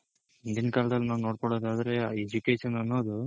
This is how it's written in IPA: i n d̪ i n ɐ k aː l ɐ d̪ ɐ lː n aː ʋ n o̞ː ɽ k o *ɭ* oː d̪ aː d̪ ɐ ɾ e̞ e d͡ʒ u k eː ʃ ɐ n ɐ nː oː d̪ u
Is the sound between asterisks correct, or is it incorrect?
incorrect